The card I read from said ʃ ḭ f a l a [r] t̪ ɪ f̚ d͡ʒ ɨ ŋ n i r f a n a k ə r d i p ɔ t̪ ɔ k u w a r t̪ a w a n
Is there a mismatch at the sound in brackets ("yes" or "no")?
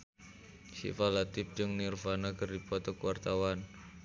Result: yes